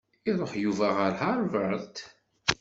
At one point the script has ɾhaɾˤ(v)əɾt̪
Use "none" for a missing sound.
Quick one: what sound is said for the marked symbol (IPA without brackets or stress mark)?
v